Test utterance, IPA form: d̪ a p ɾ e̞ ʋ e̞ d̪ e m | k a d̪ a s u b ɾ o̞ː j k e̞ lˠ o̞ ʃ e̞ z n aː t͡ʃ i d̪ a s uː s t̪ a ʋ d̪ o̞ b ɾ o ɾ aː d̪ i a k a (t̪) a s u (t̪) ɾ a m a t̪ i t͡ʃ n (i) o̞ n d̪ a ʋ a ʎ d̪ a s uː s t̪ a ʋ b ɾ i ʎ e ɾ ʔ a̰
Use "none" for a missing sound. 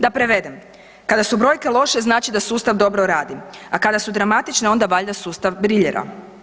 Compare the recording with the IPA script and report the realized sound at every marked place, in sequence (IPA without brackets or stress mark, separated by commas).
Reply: d̪, d̪, e